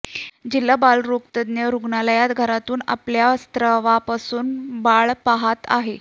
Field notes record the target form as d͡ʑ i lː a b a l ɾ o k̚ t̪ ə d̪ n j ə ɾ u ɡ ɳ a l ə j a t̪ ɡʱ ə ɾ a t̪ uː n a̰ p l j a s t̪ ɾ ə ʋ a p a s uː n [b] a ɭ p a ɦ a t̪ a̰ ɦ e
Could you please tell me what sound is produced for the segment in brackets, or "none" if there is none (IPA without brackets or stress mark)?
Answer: b